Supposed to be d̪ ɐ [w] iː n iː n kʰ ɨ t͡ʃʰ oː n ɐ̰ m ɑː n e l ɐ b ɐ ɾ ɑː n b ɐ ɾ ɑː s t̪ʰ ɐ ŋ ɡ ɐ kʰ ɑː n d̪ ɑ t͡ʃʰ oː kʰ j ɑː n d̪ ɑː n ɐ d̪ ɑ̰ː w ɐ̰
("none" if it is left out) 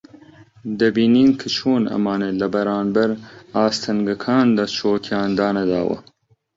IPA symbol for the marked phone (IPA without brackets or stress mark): b